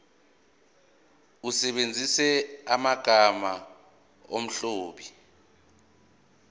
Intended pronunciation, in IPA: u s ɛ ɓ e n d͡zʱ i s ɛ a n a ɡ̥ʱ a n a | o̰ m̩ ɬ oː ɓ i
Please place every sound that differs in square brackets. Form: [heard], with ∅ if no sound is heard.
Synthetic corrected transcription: u s ɛ ɓ e n d͡zʱ i s ɛ a [m] a ɡ̥ʱ a [m] a | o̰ m̩ ɬ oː ɓ i